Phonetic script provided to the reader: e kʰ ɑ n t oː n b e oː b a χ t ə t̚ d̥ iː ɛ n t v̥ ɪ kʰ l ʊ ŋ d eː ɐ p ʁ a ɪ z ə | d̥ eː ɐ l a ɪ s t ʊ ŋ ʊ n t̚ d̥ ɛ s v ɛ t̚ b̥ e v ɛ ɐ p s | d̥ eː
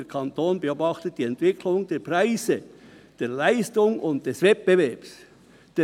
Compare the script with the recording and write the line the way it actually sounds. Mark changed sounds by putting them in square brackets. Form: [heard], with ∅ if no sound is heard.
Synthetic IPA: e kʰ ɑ n t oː n b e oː b [ɑ] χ t ə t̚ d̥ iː ɛ n t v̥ ɪ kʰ l ʊ ŋ d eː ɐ p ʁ a ɪ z ə | d̥ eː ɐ l a ɪ s t ʊ ŋ ʊ n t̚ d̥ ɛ s v ɛ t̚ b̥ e v ɛ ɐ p s | d̥ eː